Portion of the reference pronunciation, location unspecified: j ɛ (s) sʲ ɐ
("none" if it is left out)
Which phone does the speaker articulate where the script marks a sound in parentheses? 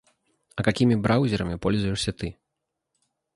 ʂ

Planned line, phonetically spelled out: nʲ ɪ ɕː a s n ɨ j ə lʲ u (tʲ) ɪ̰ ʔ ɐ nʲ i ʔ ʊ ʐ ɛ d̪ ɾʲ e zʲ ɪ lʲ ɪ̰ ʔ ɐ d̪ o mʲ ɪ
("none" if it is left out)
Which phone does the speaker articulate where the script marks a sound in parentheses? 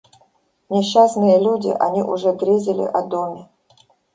dʲ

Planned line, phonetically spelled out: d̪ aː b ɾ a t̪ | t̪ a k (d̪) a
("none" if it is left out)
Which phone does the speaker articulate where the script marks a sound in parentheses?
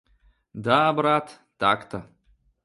t̪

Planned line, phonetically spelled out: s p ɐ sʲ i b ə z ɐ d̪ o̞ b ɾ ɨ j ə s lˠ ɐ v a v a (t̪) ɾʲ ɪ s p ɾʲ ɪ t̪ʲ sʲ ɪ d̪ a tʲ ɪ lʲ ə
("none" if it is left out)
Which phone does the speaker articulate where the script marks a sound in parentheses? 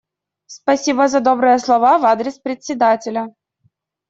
d̪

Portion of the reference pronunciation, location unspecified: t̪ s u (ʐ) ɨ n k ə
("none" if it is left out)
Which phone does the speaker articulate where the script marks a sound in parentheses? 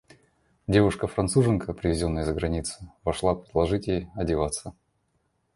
ʐ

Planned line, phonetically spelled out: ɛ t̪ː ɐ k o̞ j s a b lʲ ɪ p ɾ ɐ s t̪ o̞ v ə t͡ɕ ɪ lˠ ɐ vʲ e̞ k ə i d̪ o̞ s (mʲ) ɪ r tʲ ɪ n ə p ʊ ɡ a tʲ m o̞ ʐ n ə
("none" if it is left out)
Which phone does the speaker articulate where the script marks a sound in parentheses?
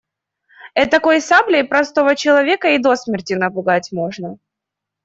mʲ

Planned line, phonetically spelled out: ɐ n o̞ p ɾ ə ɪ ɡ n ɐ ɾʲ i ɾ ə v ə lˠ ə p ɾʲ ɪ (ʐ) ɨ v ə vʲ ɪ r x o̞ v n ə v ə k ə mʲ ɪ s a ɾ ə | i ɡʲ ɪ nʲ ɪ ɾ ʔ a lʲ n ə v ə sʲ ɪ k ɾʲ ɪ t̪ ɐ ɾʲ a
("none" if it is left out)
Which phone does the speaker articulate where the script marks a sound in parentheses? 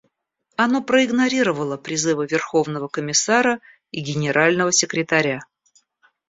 z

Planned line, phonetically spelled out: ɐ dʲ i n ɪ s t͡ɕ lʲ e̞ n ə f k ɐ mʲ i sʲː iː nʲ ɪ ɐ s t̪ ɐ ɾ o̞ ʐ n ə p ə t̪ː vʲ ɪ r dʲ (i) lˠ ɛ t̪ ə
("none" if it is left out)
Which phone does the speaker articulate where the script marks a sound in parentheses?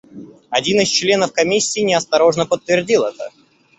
i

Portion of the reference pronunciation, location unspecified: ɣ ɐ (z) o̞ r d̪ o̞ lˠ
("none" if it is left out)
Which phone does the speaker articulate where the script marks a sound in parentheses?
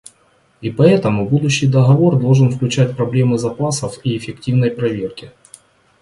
v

